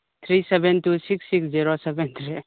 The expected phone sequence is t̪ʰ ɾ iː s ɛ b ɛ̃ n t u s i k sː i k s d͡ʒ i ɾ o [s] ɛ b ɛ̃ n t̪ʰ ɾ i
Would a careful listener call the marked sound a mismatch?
no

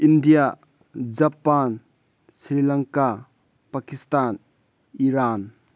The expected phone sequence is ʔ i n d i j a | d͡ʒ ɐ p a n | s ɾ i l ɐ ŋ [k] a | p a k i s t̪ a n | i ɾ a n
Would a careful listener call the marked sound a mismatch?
no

